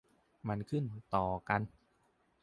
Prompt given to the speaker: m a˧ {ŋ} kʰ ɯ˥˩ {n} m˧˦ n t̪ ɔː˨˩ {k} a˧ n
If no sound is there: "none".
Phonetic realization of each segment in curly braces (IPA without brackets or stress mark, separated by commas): n, n, k